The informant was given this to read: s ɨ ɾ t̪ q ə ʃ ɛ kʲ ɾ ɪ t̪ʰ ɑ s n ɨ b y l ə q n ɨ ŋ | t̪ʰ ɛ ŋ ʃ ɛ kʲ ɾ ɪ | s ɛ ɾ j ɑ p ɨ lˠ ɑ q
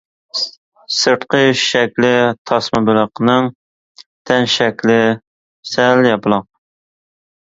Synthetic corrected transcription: s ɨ ɾ t̪ q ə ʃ ɛ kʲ l ɪ t̪ʰ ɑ s m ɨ b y l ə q n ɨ ŋ | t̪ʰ ɛ n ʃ ɛ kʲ l ɪ | s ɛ l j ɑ p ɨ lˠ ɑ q